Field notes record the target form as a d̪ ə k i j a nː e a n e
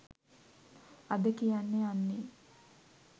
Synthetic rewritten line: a d̪ ə k i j a nː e a nː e